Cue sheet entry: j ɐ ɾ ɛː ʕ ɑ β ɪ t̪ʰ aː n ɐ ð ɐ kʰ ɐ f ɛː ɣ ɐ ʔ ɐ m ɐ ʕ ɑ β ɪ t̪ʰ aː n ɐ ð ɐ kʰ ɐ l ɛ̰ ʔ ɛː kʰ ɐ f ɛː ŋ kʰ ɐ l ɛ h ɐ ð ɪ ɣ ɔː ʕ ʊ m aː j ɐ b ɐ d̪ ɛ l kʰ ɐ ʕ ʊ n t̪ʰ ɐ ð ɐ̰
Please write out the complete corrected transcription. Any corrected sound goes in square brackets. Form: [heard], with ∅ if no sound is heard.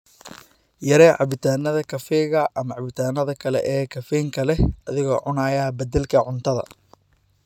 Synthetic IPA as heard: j ɐ ɾ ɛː ʕ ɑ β ɪ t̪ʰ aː n ɐ ð ɐ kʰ ɐ f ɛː ɣ ɐ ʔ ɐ m ɐ ʕ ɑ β ɪ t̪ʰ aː n ɐ ð ɐ kʰ ɐ l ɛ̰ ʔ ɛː kʰ ɐ f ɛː ŋ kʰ ɐ l ɛ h ɐ ð ɪ ɣ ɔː ʕ ʊ [n] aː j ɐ b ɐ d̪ ɛ l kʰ ɐ ʕ ʊ n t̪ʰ ɐ ð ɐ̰